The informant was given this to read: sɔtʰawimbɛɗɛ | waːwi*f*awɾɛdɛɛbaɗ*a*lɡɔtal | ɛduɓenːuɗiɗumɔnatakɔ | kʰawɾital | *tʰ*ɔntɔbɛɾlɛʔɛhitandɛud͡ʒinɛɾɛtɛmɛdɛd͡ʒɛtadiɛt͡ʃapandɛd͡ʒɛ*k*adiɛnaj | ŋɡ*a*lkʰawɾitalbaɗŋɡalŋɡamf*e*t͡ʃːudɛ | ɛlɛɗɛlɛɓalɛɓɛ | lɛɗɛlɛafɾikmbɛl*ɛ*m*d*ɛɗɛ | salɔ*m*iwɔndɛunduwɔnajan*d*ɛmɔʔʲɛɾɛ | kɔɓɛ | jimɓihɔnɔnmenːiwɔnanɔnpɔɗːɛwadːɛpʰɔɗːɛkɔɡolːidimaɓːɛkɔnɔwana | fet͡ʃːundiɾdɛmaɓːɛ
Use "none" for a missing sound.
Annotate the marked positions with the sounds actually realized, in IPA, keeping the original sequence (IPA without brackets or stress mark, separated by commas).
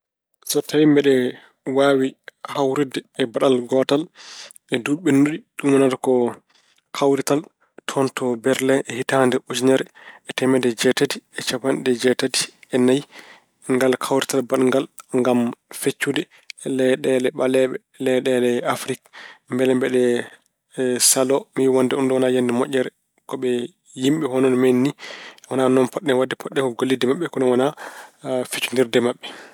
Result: h, a, tʰ, t, a, e, ɛ, b, m, d